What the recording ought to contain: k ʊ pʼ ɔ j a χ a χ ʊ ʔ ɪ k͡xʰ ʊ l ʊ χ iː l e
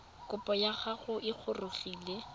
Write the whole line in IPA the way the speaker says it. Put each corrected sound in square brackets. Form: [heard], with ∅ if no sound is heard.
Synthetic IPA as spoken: k ʊ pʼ ɔ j a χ a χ ʊ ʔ ɪ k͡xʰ ʊ [r] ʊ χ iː l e